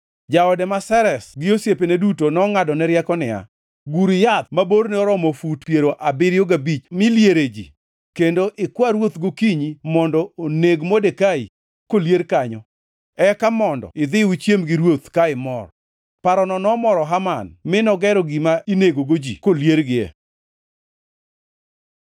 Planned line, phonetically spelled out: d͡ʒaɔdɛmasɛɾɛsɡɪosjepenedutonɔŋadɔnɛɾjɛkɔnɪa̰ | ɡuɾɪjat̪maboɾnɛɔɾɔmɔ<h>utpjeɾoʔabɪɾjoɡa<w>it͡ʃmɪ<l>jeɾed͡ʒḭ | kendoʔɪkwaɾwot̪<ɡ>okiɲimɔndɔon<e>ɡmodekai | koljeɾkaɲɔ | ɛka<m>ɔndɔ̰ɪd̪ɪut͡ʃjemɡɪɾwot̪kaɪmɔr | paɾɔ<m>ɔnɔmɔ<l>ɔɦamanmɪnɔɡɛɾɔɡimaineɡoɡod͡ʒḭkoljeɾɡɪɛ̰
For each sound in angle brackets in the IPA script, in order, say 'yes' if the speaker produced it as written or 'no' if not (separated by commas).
no, no, yes, yes, yes, yes, no, no